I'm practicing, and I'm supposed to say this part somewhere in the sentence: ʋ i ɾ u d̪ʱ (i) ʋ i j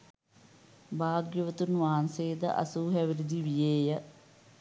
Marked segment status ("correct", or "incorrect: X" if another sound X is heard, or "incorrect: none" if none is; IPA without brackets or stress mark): correct